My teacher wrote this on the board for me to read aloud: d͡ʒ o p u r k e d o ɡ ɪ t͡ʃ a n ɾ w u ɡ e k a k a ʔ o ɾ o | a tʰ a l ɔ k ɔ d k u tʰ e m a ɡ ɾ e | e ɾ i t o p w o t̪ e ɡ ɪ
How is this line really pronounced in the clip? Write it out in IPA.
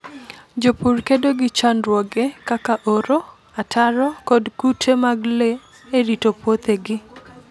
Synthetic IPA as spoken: d͡ʒ o p u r k e d o ɡ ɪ t͡ʃ a n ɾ w ɔ ɡ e k a k a ʔ o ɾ o | a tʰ a ɾ ɔ k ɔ d k u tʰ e m a ɡ l e | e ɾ i t o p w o t̪ e ɡ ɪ

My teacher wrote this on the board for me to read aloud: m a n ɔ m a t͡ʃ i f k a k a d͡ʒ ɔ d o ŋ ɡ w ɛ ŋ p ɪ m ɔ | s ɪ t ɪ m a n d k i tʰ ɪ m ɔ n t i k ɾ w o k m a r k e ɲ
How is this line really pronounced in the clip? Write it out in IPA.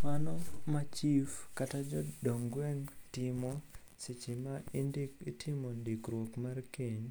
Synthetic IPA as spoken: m a n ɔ m a t͡ʃ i f k a t a d͡ʒ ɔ d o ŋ ɡ w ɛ ŋ t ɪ m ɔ | s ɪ t͡ʃ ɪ m a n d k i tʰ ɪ m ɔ n d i k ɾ w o k m a r k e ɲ

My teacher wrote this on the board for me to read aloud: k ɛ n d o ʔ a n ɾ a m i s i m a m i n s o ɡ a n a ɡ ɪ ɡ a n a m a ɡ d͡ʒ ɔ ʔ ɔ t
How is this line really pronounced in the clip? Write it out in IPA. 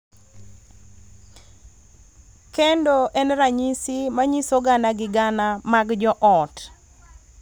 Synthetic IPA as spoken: k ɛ n d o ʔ ɛ n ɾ a ɲ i s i m a ɲ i s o ɡ a n a ɡ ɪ ɡ a n a m a ɡ d͡ʒ ɔ ʔ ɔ t

